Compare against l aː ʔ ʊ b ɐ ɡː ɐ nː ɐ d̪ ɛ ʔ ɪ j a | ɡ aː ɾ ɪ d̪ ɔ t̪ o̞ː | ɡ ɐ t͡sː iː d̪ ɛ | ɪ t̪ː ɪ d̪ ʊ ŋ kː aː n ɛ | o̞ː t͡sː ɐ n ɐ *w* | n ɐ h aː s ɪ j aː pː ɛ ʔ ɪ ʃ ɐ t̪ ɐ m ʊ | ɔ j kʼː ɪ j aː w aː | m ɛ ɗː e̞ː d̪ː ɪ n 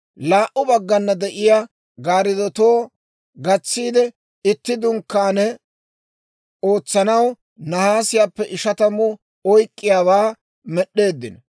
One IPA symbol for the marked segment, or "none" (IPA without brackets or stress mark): w